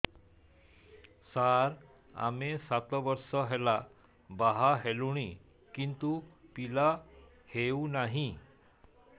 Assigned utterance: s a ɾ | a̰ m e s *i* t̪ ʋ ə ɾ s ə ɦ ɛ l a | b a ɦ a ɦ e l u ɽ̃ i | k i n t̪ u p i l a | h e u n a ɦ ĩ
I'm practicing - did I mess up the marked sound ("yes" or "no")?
yes